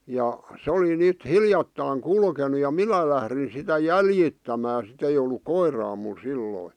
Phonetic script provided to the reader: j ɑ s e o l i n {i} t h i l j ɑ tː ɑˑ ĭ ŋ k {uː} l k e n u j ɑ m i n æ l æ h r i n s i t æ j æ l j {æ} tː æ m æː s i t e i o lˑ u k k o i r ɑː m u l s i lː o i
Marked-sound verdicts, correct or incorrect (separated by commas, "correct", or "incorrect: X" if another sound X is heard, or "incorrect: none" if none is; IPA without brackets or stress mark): incorrect: y, incorrect: u, incorrect: i